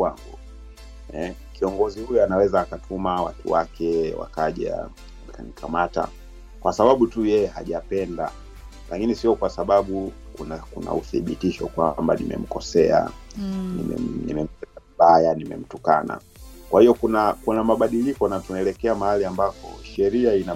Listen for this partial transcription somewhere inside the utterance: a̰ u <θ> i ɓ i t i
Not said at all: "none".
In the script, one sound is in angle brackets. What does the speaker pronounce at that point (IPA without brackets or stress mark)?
θ